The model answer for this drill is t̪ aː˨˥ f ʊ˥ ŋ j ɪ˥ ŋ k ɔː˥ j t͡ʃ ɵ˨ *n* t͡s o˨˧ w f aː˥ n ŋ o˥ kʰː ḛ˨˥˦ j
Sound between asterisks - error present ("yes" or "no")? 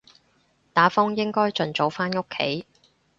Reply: no